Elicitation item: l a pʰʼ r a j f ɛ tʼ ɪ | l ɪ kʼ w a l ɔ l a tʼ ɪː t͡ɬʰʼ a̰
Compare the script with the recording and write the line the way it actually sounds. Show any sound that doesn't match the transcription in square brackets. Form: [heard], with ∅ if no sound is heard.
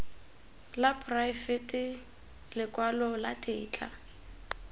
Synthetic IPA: l a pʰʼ r a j f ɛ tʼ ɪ | l ɪ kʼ w a l ɔ l a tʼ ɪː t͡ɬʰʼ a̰

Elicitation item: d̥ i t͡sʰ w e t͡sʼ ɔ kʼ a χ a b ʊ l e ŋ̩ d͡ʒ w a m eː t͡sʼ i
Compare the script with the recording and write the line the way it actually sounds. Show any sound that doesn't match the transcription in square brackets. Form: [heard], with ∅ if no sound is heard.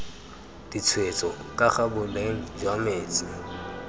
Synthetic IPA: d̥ i t͡sʰ w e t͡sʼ ɔ kʼ a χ a b ʊ l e ŋ̩ d͡ʒ w a m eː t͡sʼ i

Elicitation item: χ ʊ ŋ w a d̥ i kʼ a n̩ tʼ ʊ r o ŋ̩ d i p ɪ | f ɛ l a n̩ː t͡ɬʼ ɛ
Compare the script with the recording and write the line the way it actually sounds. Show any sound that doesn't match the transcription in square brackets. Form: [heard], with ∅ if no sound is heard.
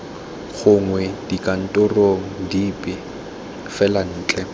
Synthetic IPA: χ ʊ ŋ w [ɛ] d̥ i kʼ a n̩ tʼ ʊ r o ŋ̩ d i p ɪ | f ɛ l a n̩ː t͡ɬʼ ɛ

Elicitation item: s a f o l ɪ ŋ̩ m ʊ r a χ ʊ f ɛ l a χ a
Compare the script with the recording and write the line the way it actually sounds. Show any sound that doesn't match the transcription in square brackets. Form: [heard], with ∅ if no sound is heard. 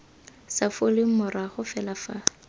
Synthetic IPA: s a f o l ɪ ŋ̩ m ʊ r a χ ʊ f ɛ l a [f] a

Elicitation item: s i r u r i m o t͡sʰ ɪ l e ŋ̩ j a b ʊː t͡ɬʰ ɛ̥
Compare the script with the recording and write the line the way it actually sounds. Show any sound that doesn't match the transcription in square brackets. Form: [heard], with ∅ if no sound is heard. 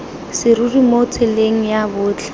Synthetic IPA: s [ɪ] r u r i m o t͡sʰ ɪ l e ŋ̩ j a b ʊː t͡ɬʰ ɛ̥

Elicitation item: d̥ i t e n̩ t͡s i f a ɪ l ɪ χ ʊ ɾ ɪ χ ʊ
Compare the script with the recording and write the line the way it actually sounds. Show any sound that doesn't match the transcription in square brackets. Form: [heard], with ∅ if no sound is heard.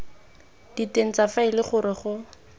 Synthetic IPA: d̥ i t e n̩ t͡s [a] f a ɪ l ɪ χ ʊ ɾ ɪ χ ʊ

